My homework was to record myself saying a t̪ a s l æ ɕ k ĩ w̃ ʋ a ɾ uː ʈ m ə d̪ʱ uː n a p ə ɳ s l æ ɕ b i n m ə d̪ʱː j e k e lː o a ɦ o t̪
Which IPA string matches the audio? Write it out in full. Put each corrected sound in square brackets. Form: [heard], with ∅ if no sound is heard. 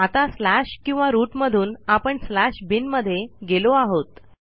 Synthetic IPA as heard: a t̪ a s l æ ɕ k ĩ w̃ ʋ a ɾ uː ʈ m ə d̪ʱ uː n a p ə ɳ s l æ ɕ b i n m ə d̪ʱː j e [ɡ] e [l] o a ɦ o t̪